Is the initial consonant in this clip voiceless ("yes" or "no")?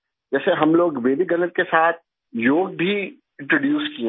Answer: no